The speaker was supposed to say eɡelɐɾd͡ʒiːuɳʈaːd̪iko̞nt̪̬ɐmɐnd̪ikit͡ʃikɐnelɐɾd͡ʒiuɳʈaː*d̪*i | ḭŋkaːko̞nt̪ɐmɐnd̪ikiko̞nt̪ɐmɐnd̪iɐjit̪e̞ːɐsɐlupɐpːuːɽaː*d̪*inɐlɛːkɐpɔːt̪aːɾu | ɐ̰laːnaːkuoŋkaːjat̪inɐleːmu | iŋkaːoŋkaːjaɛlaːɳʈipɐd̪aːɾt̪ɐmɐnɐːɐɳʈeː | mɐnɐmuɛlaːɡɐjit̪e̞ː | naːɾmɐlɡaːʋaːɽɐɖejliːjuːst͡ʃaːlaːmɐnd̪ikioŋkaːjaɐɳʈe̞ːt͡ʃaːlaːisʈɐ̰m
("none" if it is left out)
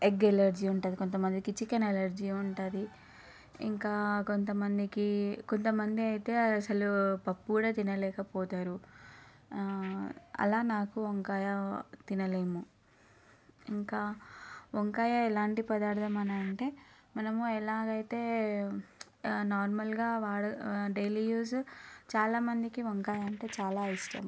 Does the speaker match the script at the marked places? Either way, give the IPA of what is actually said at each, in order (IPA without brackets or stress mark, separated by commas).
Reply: d̪, t̪